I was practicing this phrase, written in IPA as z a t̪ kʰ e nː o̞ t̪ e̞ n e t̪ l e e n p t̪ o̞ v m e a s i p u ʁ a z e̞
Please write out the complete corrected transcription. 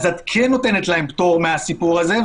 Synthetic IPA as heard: z a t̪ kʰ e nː o̞ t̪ e̞ n e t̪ l a e m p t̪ o̞ ʁ m e a s i p u ʁ a z e̞